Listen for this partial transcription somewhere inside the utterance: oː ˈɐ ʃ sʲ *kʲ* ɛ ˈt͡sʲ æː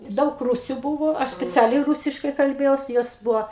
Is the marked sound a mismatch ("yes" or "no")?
yes